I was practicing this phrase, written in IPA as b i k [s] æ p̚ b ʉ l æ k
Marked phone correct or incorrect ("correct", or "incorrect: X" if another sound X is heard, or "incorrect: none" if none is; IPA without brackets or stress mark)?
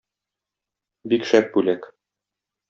incorrect: ʃ